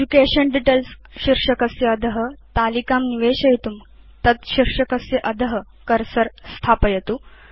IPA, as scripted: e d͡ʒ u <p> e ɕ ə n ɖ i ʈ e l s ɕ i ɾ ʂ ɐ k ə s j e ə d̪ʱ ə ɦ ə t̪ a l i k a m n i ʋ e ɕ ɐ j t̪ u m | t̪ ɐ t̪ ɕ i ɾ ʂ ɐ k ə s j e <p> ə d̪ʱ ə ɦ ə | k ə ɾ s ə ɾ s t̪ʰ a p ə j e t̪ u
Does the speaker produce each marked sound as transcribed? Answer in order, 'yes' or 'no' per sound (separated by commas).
no, no